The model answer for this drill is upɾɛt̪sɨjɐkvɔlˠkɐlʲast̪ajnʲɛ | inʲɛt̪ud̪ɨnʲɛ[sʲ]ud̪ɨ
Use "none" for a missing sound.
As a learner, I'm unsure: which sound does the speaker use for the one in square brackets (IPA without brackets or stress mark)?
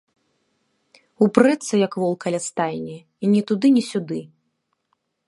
sʲ